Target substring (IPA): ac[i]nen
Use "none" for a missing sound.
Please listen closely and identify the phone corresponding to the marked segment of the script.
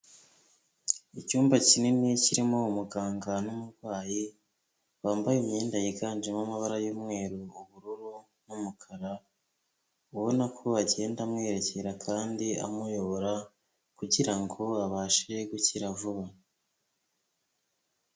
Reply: i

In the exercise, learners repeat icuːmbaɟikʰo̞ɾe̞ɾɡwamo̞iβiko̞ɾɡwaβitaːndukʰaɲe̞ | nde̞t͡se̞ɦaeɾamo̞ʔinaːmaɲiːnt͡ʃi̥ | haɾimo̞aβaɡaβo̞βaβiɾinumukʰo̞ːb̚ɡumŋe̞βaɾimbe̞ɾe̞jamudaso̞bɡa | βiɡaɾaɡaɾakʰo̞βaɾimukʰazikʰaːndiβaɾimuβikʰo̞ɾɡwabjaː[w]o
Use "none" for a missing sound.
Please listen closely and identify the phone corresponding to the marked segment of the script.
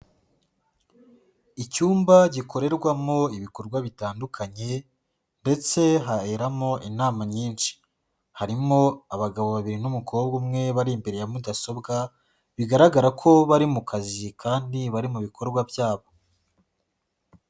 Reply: β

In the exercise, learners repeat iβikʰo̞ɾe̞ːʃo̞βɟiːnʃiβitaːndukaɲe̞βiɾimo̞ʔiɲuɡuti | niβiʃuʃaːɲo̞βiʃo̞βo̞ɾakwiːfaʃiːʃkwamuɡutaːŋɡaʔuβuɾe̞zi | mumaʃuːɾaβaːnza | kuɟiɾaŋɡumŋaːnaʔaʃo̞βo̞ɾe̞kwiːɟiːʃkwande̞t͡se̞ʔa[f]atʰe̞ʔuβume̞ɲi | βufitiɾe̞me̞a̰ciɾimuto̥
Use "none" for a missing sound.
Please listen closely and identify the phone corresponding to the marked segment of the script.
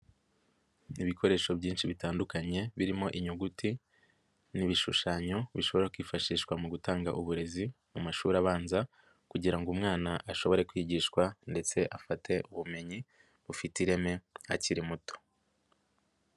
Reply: f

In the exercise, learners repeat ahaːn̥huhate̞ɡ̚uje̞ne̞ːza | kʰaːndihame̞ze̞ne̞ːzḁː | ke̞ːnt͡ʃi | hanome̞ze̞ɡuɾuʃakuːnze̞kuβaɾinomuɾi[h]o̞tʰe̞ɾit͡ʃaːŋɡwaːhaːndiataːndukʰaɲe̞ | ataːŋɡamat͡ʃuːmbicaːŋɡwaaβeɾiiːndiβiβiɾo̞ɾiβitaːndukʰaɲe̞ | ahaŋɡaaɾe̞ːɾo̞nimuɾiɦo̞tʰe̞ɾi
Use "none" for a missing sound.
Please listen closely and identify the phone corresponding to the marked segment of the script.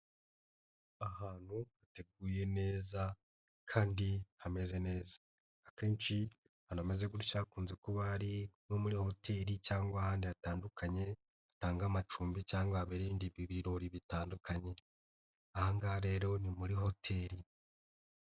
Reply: h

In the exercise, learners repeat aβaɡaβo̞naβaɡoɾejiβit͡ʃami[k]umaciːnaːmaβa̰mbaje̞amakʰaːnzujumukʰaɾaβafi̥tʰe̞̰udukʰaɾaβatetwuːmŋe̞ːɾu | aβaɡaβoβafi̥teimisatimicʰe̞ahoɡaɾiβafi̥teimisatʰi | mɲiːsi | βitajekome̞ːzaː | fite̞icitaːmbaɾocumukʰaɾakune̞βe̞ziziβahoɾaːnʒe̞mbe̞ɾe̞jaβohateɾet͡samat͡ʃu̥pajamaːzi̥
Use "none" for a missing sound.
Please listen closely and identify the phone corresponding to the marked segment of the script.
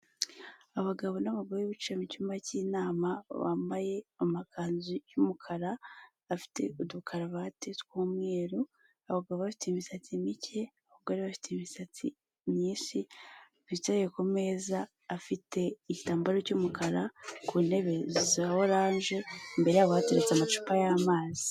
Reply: c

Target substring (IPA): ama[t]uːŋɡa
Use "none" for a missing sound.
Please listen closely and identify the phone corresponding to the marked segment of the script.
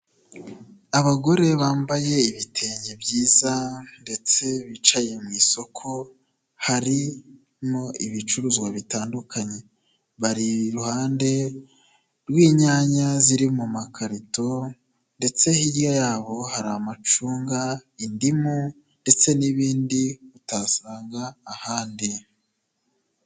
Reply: t͡ʃ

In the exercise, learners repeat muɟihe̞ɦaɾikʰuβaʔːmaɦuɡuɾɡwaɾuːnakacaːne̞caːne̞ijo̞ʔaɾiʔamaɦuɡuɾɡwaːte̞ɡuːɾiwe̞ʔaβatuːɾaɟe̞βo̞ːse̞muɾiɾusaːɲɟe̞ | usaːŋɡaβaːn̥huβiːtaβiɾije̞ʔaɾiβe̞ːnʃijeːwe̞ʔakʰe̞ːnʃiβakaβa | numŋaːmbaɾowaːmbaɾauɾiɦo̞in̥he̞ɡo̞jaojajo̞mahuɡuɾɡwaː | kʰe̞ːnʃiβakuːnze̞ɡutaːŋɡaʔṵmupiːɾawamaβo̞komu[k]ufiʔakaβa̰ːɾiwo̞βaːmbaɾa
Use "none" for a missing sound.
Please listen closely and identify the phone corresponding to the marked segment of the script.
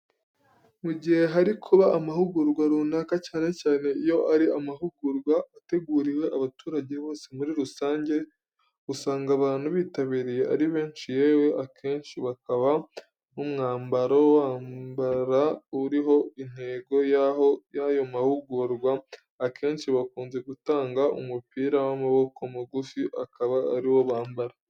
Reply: ɡ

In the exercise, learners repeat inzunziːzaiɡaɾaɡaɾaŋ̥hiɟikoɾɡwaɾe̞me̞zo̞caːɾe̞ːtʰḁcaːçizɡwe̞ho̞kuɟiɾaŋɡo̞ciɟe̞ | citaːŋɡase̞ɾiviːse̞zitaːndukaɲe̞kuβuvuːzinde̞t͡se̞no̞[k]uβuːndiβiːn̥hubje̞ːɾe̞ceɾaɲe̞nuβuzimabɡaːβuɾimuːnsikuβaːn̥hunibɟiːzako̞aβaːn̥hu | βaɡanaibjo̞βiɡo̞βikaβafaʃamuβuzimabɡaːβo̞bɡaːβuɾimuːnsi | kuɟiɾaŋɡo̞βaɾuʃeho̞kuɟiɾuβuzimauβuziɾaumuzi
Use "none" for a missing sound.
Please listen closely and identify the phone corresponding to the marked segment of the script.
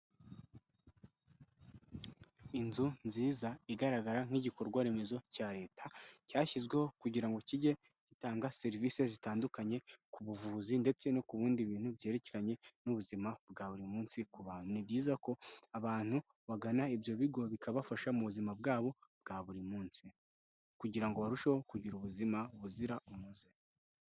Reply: k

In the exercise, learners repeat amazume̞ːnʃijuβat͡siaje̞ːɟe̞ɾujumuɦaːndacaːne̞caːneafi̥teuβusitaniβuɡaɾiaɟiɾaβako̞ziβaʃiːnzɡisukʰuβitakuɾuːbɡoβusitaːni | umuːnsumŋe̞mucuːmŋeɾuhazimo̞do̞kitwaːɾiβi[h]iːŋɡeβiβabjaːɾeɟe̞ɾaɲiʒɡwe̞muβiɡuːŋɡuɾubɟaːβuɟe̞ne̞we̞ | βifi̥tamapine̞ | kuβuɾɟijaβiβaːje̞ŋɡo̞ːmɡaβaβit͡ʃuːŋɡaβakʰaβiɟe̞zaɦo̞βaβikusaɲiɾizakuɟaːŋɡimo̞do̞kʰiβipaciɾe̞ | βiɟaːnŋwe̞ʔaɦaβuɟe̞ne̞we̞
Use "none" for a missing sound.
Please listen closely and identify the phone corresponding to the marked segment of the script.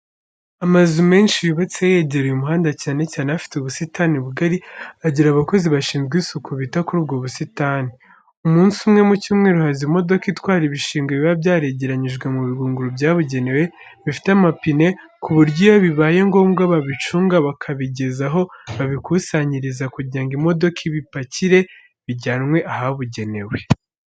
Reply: ʃ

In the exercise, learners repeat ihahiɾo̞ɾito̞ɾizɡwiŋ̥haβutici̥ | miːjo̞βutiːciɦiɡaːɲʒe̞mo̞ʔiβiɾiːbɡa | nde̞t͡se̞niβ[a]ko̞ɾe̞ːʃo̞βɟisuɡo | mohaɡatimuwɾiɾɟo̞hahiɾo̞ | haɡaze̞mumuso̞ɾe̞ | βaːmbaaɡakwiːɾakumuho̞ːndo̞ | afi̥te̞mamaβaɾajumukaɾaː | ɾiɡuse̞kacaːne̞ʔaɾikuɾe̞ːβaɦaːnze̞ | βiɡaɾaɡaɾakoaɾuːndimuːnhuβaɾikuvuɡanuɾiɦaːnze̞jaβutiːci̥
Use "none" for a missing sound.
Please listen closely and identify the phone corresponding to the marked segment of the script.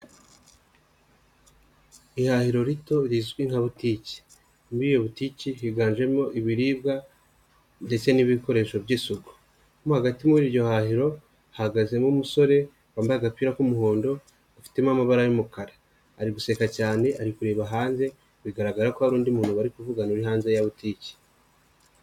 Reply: i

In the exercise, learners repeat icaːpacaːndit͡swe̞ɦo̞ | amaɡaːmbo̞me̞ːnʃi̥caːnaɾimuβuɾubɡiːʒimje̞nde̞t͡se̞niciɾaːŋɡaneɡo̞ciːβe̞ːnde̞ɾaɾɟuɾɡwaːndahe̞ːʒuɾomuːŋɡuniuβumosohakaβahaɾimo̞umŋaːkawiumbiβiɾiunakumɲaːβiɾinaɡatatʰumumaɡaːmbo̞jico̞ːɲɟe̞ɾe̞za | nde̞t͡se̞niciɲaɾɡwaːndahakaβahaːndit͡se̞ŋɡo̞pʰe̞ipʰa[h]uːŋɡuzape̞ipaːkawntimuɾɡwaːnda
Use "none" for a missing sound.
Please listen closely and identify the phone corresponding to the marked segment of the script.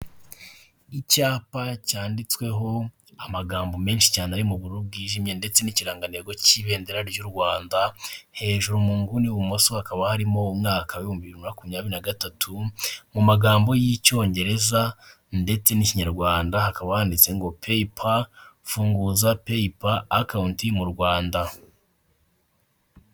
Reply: f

